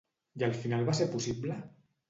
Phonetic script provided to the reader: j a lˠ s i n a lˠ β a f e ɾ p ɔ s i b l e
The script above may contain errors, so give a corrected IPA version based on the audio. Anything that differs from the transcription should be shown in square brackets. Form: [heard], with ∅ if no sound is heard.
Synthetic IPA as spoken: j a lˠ [f] i n a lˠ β a [s] e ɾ p [u] s i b l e